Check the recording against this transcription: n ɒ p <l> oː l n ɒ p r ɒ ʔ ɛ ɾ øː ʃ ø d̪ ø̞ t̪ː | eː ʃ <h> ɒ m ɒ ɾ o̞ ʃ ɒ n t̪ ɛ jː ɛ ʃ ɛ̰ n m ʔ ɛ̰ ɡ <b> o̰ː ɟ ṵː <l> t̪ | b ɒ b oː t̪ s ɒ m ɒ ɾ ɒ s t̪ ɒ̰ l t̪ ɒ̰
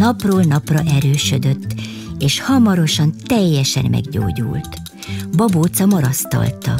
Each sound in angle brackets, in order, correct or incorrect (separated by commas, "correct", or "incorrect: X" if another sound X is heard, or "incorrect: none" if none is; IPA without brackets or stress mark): incorrect: r, correct, incorrect: ɟ, correct